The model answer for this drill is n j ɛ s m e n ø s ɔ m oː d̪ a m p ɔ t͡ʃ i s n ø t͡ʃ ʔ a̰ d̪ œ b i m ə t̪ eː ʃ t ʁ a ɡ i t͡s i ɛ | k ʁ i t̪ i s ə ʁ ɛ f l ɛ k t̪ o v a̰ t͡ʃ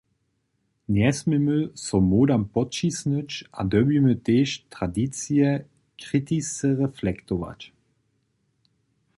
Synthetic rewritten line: n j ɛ s m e m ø s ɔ m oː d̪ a m p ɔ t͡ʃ i s n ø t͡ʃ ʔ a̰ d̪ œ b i m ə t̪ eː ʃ t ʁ a d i t͡s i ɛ | k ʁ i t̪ i s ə ʁ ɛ f l ɛ k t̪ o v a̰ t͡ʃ